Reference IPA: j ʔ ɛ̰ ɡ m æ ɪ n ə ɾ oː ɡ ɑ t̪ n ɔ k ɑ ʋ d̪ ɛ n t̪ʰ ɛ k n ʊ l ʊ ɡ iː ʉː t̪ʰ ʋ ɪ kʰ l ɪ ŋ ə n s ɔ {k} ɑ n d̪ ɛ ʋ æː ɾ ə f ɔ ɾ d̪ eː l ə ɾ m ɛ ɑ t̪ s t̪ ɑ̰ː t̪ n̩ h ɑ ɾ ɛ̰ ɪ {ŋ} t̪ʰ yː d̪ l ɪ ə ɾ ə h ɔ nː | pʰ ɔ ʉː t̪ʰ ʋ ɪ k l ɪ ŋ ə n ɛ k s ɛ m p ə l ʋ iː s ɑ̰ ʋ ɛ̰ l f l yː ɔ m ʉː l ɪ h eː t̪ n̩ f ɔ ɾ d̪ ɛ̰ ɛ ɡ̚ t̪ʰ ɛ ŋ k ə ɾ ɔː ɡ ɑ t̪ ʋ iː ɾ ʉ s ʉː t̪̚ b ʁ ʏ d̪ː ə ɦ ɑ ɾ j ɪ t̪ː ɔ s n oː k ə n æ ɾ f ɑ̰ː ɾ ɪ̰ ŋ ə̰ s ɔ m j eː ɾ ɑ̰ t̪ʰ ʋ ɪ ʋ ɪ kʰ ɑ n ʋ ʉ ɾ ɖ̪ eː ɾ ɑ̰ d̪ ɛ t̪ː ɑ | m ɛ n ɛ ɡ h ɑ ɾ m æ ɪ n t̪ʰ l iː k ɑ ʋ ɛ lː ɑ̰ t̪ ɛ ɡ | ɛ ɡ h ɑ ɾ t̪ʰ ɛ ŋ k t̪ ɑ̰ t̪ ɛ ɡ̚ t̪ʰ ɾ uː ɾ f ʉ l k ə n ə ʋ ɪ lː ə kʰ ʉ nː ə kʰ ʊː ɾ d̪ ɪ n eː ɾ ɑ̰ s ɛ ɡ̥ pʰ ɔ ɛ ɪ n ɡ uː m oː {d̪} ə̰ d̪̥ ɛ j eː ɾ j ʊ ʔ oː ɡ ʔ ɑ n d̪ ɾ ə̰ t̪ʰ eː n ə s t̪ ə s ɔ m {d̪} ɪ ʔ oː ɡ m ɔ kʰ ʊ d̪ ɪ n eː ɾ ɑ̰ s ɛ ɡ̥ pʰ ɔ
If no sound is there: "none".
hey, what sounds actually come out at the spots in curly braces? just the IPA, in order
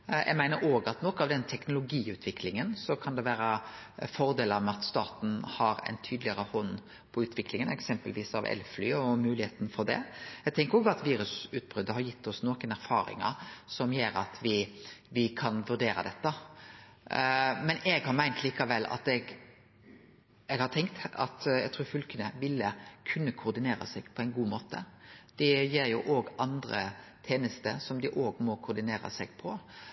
kʰ, n, t̪, d̪

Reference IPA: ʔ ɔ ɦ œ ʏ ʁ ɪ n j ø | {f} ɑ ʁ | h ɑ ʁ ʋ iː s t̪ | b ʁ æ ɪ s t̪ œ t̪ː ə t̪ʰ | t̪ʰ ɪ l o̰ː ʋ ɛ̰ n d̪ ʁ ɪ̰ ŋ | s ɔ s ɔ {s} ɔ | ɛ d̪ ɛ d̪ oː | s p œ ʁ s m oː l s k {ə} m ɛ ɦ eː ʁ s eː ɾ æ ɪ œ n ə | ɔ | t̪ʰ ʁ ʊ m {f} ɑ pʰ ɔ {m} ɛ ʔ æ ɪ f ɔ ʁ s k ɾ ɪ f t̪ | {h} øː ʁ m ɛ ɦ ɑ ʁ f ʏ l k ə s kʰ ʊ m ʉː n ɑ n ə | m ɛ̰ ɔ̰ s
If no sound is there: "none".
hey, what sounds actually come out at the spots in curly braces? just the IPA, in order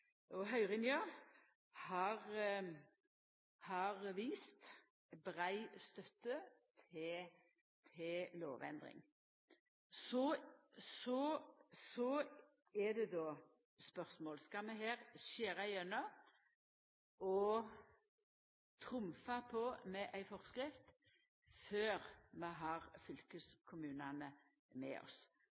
h, s, ɑ, f, m, f

